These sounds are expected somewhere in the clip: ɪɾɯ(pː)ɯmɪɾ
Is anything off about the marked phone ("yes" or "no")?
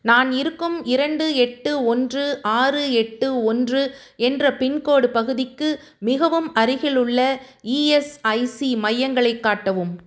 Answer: yes